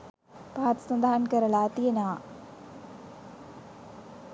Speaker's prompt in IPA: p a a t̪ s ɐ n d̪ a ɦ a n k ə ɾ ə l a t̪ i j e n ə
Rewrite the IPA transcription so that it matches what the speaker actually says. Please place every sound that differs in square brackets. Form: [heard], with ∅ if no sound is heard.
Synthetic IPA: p a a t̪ s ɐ n d̪ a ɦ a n k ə ɾ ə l a t̪ i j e n [a]